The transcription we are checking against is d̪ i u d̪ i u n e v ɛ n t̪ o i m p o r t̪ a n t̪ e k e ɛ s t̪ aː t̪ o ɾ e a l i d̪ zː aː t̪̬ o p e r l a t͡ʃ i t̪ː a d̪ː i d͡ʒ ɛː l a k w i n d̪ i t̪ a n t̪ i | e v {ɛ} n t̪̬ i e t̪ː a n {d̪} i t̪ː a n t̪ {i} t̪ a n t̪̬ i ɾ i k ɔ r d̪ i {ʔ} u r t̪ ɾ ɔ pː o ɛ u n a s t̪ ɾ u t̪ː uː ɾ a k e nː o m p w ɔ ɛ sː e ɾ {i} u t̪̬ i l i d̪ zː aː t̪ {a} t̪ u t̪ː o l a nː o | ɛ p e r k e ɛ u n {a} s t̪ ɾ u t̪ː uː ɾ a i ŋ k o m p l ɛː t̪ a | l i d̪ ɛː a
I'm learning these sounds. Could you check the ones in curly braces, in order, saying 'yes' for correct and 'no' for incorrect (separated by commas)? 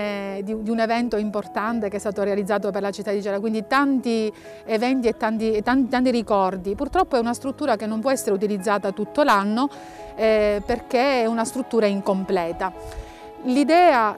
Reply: yes, no, yes, no, no, yes, yes